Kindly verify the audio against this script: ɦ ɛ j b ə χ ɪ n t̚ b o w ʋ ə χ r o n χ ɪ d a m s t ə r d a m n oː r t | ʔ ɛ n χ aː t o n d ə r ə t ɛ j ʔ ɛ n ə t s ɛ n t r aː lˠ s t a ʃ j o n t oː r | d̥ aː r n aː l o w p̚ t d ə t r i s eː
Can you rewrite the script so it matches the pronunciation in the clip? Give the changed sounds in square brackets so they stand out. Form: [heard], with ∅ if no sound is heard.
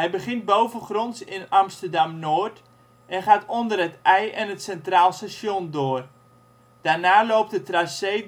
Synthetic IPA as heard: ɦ ɛ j b ə χ ɪ n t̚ b o w [v] ə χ r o n [s] ɪ [n] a m s t ə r d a m n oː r t | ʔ ɛ n χ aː t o n d ə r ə t ɛ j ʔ ɛ n ə t s ɛ n t r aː lˠ s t a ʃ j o n [d] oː r | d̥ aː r n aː l o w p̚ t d ə t r [a] s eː